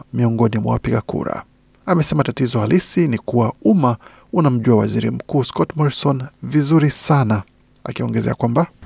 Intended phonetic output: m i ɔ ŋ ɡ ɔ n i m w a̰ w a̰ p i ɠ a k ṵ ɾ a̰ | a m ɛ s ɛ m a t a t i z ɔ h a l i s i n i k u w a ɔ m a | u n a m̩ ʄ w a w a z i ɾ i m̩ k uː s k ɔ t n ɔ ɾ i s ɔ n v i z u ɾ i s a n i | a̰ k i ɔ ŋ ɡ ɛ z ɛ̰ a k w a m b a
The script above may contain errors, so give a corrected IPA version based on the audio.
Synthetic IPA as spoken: m i ɔ ŋ ɡ ɔ n i m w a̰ w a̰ p i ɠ a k ṵ ɾ a̰ | a m ɛ s ɛ m a t a t i z ɔ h a l i s i n i k u w a u m a | u n a m̩ ʄ u a w a z i ɾ i m̩ k uː s k ɔ t m ɔ ɾ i s ɔ n v i z u ɾ i s a n a | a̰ k i ɔ ŋ ɡ ɛ z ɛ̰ a k w a m b a